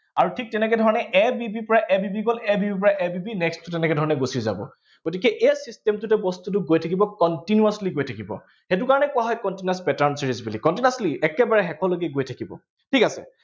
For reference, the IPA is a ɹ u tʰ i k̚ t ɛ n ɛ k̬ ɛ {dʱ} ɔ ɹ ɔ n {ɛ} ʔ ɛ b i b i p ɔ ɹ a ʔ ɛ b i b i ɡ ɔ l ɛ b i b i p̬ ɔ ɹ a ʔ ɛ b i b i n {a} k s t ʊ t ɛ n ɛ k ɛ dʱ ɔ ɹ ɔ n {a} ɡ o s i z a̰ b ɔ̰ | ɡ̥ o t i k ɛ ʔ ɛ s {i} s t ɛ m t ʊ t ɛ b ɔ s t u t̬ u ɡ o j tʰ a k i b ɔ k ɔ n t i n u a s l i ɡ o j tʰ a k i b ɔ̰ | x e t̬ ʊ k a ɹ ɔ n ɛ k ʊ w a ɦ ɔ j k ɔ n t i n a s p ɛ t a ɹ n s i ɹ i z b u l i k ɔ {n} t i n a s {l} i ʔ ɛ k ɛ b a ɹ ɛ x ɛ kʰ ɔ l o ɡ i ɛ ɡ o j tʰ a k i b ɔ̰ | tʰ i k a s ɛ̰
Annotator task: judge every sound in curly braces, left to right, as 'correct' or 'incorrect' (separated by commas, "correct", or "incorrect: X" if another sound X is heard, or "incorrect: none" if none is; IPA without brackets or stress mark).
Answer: correct, correct, incorrect: ɛ, incorrect: ɛ, correct, correct, correct